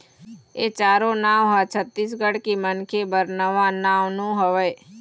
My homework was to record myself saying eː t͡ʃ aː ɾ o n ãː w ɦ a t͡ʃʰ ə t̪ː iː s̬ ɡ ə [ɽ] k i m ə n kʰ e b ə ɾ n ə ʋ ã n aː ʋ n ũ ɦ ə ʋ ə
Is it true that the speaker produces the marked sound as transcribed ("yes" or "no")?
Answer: yes